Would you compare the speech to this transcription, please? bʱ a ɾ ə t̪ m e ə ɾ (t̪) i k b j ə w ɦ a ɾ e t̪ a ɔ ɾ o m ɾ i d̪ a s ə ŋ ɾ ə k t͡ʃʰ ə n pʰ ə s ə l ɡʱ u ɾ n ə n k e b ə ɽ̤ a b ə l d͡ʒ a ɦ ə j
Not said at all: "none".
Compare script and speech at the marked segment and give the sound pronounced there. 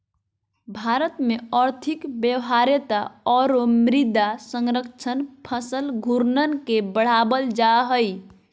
t̪ʰ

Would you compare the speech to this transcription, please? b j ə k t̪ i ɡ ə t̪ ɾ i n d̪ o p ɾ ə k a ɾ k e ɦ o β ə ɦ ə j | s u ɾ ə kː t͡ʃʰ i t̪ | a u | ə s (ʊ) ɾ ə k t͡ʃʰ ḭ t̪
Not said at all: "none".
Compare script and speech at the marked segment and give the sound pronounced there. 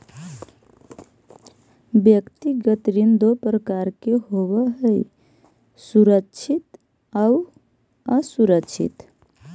u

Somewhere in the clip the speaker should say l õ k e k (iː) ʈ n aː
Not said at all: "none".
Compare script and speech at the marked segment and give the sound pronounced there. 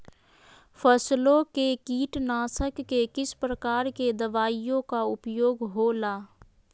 iː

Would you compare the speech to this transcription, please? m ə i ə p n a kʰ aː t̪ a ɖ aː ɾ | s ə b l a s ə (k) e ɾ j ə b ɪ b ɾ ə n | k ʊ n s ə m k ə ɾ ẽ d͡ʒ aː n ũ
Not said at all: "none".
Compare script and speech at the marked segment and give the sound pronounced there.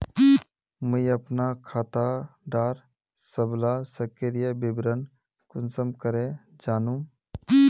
k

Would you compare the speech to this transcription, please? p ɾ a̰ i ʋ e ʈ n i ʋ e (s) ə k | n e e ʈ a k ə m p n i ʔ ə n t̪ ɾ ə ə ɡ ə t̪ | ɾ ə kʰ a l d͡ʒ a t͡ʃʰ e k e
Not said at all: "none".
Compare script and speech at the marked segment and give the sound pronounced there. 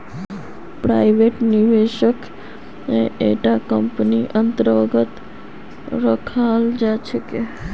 ʃ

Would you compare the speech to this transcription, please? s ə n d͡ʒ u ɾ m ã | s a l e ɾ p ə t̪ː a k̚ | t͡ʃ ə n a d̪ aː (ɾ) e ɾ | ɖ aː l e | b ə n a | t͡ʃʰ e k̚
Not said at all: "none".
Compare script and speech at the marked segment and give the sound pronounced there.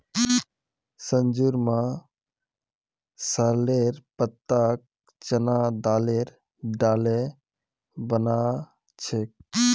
l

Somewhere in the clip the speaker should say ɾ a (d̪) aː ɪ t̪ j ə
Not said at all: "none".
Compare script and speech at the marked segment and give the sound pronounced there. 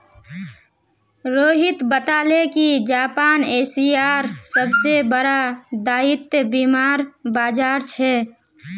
d̪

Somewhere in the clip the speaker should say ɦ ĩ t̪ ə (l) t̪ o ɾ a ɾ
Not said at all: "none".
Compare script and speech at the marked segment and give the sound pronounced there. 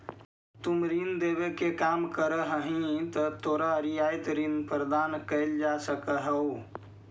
none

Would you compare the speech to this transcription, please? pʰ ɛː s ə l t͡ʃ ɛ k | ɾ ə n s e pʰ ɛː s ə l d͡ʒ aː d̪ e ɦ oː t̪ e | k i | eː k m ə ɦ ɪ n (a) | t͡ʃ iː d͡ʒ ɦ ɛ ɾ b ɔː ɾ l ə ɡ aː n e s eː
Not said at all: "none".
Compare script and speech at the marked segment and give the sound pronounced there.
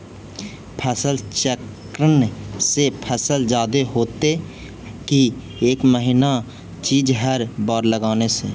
a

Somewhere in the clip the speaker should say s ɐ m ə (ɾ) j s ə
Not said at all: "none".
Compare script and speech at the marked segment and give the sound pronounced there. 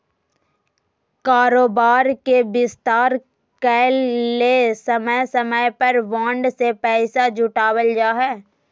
none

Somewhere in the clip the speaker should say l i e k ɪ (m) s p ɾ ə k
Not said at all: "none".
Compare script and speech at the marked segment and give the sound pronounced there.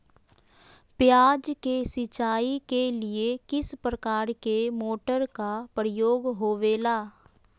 none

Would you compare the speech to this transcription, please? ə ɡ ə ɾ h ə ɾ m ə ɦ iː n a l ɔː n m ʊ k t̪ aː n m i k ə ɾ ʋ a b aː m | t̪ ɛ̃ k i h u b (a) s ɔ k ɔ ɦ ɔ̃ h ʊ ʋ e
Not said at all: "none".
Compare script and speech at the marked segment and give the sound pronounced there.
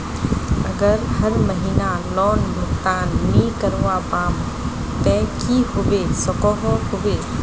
e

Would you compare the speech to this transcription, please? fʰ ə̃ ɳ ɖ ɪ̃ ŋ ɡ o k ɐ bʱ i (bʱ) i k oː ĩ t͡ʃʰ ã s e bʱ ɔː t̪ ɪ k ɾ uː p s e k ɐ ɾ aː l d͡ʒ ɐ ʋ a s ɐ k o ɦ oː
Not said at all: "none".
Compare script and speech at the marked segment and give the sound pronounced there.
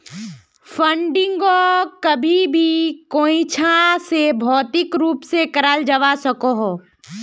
bʱ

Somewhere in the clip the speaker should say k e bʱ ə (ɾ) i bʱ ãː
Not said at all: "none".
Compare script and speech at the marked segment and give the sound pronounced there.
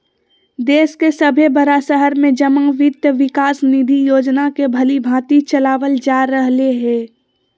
l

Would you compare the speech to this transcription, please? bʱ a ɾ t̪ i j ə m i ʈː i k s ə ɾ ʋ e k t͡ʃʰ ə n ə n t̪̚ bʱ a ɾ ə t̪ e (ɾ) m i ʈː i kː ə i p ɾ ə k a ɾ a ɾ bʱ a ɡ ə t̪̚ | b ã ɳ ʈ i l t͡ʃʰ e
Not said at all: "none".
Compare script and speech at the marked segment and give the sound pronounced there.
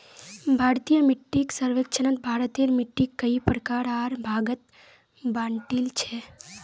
ɾ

